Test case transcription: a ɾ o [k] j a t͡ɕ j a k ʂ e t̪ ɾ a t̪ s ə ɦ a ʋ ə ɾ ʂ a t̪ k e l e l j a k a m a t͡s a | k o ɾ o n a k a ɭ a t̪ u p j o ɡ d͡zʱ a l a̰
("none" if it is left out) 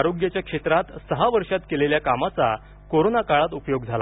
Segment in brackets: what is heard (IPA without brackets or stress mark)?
ɡ